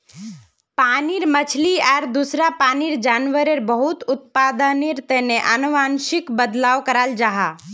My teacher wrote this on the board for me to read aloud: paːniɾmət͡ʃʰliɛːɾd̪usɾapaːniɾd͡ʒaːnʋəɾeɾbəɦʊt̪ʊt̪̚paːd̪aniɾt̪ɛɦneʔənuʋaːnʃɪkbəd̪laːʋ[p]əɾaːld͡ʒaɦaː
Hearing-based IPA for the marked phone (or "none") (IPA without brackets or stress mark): k